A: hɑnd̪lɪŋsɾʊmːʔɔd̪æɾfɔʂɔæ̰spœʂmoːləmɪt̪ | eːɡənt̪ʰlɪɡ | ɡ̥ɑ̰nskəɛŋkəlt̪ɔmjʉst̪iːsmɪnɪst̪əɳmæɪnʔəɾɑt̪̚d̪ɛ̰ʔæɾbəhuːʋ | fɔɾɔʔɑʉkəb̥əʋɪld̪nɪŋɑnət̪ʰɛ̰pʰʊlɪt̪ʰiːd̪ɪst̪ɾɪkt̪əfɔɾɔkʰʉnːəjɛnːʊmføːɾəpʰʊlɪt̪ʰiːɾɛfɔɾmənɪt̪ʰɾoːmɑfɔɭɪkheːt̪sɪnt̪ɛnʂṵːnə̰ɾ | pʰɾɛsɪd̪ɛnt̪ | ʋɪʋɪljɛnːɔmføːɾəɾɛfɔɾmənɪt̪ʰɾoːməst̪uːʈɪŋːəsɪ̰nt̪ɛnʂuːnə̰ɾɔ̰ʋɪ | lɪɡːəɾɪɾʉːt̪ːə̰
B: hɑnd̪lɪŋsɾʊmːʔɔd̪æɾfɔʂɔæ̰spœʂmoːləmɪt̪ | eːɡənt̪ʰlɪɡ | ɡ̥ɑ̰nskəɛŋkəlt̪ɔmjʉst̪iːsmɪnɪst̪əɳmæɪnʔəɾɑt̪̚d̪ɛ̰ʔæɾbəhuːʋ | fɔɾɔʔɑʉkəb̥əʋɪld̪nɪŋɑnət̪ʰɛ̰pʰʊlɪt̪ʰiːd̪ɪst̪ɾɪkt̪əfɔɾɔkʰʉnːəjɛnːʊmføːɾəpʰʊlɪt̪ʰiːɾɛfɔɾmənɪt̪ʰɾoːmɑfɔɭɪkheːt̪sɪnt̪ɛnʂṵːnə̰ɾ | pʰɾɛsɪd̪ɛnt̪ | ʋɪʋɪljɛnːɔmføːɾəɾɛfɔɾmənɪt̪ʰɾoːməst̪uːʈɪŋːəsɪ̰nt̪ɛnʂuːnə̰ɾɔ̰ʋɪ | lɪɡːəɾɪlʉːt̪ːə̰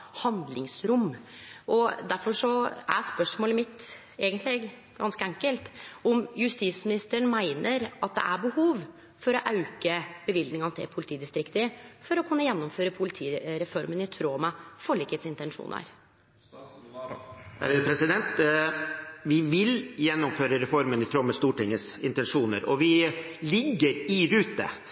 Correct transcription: A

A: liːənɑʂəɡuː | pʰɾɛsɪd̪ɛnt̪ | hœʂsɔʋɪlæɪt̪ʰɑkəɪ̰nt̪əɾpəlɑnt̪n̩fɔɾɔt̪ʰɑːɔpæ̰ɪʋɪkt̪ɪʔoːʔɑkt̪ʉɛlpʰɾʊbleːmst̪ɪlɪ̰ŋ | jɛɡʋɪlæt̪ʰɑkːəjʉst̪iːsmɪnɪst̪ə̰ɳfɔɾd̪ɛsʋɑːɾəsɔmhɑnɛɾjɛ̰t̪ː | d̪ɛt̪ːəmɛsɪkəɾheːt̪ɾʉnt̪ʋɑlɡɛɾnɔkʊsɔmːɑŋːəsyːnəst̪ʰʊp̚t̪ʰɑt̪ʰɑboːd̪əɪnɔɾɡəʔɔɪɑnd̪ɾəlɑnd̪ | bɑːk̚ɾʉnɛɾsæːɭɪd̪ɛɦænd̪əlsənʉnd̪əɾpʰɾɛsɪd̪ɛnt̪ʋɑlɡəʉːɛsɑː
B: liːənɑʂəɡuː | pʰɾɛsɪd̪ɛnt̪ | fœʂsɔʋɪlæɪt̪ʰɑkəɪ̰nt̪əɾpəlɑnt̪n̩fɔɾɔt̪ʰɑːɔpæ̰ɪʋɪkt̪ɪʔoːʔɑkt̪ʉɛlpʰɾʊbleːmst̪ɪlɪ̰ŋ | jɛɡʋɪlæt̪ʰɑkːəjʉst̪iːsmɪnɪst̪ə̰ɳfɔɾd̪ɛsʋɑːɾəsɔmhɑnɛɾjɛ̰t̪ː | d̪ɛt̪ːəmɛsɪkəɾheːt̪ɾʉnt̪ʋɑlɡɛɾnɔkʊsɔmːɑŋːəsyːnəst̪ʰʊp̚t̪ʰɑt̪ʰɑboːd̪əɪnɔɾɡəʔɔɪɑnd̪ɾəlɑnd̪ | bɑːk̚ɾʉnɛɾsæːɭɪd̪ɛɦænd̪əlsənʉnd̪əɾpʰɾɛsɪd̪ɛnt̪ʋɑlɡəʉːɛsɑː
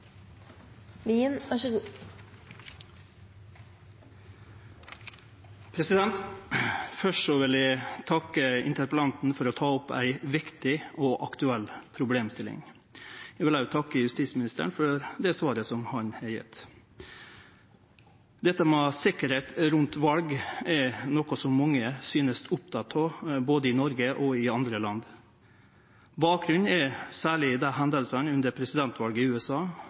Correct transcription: B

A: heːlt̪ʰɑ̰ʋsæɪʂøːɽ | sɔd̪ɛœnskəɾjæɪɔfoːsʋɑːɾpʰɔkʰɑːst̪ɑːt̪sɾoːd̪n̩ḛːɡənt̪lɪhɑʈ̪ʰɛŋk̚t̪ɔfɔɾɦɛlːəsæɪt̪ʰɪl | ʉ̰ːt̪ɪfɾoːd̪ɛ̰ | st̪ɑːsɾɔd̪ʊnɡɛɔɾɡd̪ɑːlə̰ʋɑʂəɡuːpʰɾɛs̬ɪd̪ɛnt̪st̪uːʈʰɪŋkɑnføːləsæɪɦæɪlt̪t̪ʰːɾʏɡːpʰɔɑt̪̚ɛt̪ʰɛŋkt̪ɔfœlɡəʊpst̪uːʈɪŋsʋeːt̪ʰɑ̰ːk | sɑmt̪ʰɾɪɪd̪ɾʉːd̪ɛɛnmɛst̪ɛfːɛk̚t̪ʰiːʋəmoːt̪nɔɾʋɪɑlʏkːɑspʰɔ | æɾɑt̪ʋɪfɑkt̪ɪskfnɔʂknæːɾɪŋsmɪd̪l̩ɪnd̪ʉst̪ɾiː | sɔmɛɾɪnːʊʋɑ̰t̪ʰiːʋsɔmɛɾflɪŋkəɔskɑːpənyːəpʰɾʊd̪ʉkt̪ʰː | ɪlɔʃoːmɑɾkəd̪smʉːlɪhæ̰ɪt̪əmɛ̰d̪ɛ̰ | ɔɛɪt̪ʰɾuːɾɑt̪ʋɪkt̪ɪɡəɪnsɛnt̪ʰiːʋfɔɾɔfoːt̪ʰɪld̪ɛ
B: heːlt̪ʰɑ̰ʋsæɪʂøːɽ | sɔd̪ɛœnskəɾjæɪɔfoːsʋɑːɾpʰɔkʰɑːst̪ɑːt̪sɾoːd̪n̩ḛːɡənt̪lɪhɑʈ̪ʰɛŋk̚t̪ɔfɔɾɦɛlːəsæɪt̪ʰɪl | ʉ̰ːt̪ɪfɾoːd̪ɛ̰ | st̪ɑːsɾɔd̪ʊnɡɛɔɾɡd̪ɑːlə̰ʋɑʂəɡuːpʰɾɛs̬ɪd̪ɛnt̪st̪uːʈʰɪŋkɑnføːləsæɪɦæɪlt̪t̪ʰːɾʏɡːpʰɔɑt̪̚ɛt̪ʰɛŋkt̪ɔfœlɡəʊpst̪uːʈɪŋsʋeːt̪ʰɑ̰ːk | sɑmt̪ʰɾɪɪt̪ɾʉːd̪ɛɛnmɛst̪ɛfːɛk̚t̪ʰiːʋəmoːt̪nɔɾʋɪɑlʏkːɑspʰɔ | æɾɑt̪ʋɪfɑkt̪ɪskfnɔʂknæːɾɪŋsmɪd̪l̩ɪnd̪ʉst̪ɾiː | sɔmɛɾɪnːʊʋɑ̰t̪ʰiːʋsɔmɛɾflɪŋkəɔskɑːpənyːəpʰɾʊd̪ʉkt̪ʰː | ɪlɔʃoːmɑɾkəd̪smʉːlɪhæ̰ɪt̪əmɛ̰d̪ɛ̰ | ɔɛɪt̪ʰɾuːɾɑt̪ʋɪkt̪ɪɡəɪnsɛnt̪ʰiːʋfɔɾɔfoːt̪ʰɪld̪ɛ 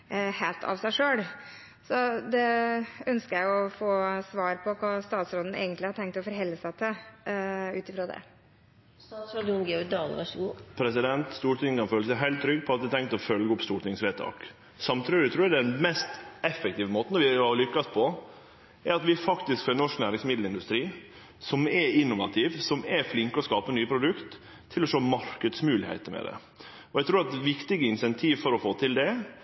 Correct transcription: B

